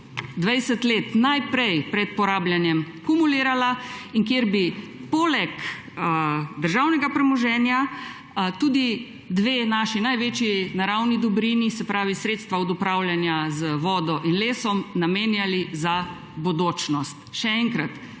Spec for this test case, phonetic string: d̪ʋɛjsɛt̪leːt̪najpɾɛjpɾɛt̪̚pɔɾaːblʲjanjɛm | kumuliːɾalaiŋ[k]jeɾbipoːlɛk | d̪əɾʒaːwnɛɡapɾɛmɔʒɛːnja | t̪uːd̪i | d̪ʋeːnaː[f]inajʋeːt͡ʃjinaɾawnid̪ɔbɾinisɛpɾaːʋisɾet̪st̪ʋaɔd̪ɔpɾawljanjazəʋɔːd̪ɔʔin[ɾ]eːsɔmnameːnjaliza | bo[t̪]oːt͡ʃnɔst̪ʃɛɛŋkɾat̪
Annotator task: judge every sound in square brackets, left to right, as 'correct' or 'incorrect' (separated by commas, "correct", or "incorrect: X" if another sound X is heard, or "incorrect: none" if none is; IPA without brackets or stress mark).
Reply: correct, incorrect: ʃ, incorrect: l, incorrect: d̪